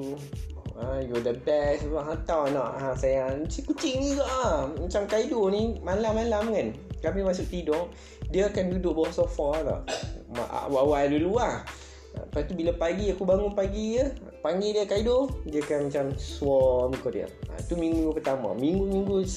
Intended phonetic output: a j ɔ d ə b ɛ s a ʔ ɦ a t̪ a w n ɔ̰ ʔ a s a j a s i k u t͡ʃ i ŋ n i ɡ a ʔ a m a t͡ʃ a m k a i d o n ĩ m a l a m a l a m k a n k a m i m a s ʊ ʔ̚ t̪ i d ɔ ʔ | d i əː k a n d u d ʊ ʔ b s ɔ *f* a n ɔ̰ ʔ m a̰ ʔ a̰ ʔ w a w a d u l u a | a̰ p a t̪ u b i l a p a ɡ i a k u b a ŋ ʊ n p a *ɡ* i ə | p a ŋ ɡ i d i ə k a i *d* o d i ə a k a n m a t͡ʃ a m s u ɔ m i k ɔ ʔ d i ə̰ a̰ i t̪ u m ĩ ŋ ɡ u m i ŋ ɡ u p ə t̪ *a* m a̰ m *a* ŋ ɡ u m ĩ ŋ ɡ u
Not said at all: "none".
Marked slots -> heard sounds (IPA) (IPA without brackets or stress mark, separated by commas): f, ɡ, d, a, i